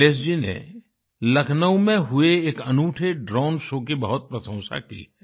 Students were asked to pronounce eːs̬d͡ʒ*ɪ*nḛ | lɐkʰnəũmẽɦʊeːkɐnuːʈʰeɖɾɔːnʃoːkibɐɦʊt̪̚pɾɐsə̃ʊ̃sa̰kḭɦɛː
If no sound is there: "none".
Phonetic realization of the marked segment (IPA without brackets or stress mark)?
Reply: i